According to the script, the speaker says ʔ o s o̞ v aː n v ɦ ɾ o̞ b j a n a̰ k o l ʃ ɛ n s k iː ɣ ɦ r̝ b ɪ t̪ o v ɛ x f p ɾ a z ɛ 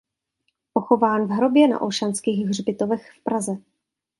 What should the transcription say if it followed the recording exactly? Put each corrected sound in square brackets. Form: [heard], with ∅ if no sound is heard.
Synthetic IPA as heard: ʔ o [x] o̞ v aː n v ɦ ɾ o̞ b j [ɛ] n a̰ [ʔ] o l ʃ [a] n s k iː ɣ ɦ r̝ b ɪ t̪ o v ɛ x f p ɾ a z ɛ

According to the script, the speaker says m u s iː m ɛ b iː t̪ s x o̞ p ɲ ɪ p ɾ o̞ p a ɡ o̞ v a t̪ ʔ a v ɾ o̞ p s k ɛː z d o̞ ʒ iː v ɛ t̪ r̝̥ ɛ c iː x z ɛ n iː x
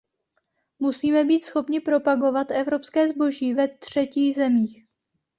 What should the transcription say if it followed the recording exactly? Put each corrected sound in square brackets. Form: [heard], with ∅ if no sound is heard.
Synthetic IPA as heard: m u s iː m ɛ b iː t̪ s x o̞ p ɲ ɪ p ɾ o̞ p a ɡ o̞ v a t̪ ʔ [ɛ] v ɾ o̞ p s k ɛː z [b] o̞ ʒ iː v ɛ t̪ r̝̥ ɛ c iː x z ɛ [m] iː x

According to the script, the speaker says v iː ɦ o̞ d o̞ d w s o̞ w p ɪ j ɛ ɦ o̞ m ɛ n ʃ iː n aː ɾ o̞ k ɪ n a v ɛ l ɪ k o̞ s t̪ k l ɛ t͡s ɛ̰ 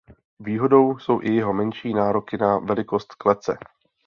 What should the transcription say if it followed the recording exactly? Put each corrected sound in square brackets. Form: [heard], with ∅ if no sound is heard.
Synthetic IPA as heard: v iː ɦ o̞ d o̞ [∅] w s o̞ w [ʔ] ɪ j ɛ ɦ o̞ m ɛ n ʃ iː n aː ɾ o̞ k ɪ n a v ɛ l ɪ k o̞ s t̪ k l ɛ t͡s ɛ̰

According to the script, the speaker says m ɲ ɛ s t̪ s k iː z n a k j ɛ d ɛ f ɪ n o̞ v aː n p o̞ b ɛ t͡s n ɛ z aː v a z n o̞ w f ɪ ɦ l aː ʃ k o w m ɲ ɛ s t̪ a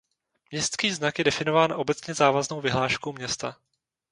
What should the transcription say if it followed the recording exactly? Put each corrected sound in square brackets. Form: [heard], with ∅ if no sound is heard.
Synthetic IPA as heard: m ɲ ɛ s t̪ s k iː z n a k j ɛ d ɛ f ɪ n o̞ v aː n [ʔ] o̞ b ɛ t͡s [ɲ] ɛ z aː v a z n o̞ w [v] ɪ ɦ l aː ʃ k o w m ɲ ɛ s t̪ a

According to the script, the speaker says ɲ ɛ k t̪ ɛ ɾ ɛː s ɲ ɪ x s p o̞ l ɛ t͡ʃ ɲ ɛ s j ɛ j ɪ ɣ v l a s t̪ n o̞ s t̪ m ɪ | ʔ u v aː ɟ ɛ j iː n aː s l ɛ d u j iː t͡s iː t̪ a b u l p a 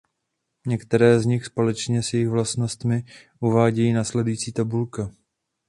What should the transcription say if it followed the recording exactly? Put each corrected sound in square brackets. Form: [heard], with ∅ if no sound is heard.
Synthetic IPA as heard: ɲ ɛ k t̪ ɛ ɾ ɛː [z] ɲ ɪ x s p o̞ l ɛ t͡ʃ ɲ ɛ s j ɛ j ɪ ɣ v l a s t̪ n o̞ s t̪ m ɪ | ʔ u v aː ɟ ɛ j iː n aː s l ɛ d u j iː t͡s iː t̪ a b u l [k] a

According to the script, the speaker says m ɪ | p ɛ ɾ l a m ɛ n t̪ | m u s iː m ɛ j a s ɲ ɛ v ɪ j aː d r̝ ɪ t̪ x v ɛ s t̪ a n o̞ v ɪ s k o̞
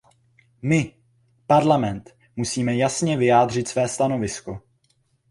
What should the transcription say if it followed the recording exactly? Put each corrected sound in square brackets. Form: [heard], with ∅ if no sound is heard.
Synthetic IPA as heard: m ɪ | p [a] ɾ l a m ɛ n t̪ | m u s iː m ɛ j a s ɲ ɛ v ɪ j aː d r̝ ɪ t̪ [s] v [ɛː] s t̪ a n o̞ v ɪ s k o̞

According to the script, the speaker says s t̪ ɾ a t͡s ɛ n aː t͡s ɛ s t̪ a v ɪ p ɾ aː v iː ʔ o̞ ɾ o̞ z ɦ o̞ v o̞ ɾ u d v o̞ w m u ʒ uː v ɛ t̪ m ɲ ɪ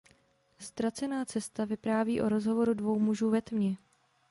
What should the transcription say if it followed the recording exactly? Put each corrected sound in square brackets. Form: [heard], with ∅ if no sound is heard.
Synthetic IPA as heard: s t̪ ɾ a t͡s ɛ n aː t͡s ɛ s t̪ a v ɪ p ɾ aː v iː ʔ o̞ ɾ o̞ z ɦ o̞ v o̞ ɾ u d v o̞ w m u ʒ uː v ɛ t̪ m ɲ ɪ

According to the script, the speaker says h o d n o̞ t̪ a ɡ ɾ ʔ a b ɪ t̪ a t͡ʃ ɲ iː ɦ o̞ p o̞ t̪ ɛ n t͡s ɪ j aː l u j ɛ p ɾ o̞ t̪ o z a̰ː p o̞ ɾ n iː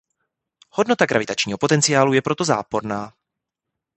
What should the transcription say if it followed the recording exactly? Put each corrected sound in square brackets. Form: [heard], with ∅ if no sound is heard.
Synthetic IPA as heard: h o d n o̞ t̪ a ɡ ɾ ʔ a [v] ɪ t̪ a t͡ʃ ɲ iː ɦ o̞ p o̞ t̪ ɛ n t͡s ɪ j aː l u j ɛ p ɾ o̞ t̪ o z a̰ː p o̞ ɾ n [aː]

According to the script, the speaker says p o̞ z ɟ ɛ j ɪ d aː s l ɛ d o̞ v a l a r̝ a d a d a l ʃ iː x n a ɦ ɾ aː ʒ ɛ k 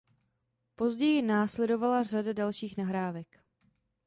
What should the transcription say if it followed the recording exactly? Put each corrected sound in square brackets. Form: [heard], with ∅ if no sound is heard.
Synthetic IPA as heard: p o̞ z ɟ ɛ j ɪ [n] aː s l ɛ d o̞ v a l a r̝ a d a d a l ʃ iː x n a ɦ ɾ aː [v] ɛ k

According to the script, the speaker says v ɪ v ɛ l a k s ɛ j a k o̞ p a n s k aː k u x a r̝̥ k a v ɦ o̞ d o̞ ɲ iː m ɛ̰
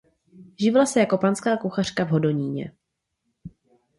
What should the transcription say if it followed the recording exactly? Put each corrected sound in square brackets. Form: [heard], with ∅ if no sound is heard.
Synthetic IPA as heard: [ʒ] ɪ v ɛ l a [∅] s ɛ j a k o̞ p a n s k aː k u x a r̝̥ k a v ɦ o̞ d o̞ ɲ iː [ɲ] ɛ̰

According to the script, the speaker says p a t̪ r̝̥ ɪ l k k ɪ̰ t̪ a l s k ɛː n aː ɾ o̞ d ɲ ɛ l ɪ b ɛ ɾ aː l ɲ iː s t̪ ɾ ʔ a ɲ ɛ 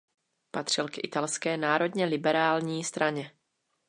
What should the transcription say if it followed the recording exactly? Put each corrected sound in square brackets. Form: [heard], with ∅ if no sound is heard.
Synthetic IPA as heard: p a t̪ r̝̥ ɪ l k [ʔ] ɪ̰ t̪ a l s k ɛː n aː ɾ o̞ d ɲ ɛ l ɪ b ɛ ɾ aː l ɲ iː s t̪ ɾ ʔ a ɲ ɛ

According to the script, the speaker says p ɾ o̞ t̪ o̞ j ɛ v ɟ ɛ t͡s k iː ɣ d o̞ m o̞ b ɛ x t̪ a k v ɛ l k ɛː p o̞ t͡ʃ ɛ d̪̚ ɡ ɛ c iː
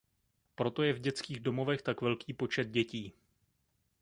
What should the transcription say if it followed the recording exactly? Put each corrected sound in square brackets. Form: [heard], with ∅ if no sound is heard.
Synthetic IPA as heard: p ɾ o̞ t̪ o̞ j ɛ v ɟ ɛ t͡s k iː ɣ d o̞ m o̞ [v] ɛ x t̪ a k v ɛ l k [iː] p o̞ t͡ʃ ɛ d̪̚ [ɟ] ɛ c iː

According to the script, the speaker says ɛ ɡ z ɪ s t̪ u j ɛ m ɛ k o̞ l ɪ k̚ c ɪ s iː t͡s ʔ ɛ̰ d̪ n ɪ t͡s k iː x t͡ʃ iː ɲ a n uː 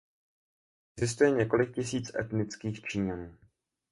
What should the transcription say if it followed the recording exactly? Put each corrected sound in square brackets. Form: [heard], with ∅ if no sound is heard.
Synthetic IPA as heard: ɛ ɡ z ɪ s t̪ u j ɛ [ɲ] ɛ k o̞ l ɪ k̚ c ɪ s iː t͡s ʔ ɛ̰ [t̪] n ɪ t͡s k iː x t͡ʃ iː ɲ a n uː

